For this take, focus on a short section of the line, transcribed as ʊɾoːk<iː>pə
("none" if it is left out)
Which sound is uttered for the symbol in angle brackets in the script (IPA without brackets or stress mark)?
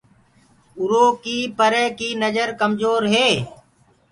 iː